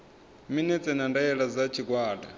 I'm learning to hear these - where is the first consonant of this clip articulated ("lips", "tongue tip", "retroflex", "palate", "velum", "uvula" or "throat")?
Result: lips